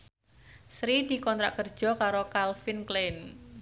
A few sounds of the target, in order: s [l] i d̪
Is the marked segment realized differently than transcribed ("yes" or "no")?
yes